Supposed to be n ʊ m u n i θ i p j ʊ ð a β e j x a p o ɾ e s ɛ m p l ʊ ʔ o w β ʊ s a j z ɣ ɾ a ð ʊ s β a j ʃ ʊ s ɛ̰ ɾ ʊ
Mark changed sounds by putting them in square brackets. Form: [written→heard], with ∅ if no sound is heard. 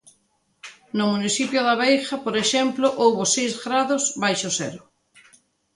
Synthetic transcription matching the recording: n ʊ m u n i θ i p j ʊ ð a β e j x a p o ɾ e [s→ʃ] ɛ m p l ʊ ʔ o w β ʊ s [a→e] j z ɣ ɾ a ð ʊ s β a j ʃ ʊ s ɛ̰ ɾ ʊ

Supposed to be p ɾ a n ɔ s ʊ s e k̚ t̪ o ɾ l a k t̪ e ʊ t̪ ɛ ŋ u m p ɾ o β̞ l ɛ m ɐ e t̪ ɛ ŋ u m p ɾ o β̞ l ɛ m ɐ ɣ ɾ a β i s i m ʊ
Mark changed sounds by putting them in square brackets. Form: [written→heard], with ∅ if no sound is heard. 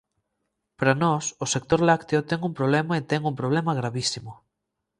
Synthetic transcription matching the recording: p ɾ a n ɔ s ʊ s e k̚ t̪ o ɾ l a k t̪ e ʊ t̪ ɛ ŋ u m p ɾ o β̞ l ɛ m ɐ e t̪ ɛ ŋ u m p ɾ o β̞ l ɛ m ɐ ɣ ɾ a β i s i m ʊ

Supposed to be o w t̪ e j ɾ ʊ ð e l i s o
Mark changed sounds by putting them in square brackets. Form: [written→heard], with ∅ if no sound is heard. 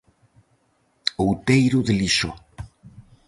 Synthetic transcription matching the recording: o w t̪ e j ɾ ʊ ð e l i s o

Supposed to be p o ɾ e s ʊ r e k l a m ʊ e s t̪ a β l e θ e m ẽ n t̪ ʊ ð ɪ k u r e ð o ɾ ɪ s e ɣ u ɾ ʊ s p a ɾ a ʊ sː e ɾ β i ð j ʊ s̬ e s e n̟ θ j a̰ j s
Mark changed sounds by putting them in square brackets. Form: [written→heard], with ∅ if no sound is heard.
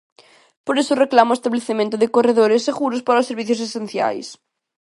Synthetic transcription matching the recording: p o ɾ e s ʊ r e k l a m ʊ e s t̪ a β l e θ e m ẽ n t̪ ʊ ð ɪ k [u→o] r e ð o ɾ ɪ s e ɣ u ɾ ʊ s p a ɾ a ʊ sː e ɾ β i [ð→θ] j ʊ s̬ e s e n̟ θ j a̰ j s

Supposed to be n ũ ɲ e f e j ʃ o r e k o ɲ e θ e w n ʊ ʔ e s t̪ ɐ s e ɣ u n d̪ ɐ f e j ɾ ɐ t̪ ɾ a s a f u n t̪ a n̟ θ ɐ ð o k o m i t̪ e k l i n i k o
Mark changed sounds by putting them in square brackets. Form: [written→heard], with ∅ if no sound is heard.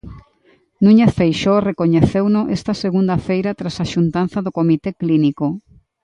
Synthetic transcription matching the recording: n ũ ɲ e f e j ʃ o r e k o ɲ e θ e w n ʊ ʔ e s t̪ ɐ s e ɣ u n d̪ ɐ f e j ɾ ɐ t̪ ɾ a s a [f→ʃ] u n t̪ a n̟ θ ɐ ð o k o m i t̪ e k l i n i k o

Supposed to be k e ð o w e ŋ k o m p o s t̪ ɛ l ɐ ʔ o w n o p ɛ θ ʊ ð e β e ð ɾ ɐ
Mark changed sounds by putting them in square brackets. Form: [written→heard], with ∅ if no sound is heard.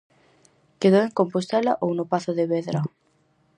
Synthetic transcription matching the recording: k e ð o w e ŋ k o m p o s t̪ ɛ l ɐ ʔ o w n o p [ɛ→a] θ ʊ ð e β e ð ɾ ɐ

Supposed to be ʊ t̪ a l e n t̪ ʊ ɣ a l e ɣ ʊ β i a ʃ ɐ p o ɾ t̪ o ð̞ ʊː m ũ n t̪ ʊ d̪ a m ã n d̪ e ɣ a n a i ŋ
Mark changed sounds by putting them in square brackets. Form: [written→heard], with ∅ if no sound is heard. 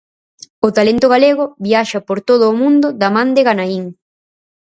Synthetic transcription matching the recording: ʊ t̪ a l e n t̪ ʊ ɣ a l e ɣ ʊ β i a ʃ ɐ p o ɾ t̪ o ð̞ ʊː m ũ n [t̪→d̪] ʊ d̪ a m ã n d̪ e ɣ a n a i ŋ

